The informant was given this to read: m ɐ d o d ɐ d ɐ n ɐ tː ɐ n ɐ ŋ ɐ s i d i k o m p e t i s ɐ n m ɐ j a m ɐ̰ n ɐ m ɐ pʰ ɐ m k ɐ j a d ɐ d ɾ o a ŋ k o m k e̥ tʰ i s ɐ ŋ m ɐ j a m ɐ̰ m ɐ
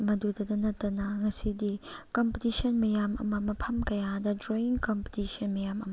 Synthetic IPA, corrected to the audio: m ɐ d u d ɐ d ɐ n ɐ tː ɐ n ɐ ŋ ɐ s i d i k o m p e t i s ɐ n m ɐ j a m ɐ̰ m ɐ m ɐ pʰ ɐ m k ɐ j a d ɐ d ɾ o i ŋ k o m p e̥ t i s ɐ n m ɐ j a m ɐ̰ m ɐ